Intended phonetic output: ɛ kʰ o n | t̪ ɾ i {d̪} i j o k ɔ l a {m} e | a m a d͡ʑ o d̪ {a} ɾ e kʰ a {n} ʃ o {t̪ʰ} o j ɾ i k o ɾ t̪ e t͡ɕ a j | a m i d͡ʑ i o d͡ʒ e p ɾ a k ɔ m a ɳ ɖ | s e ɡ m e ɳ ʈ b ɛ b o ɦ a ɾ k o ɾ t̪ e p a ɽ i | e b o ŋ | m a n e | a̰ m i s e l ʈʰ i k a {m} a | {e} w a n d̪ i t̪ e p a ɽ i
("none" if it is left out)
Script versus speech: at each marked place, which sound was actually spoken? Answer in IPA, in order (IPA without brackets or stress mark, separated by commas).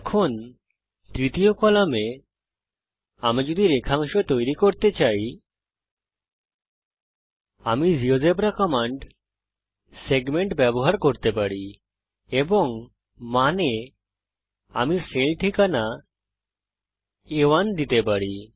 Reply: t̪, m, i, ŋ, t̪, n, e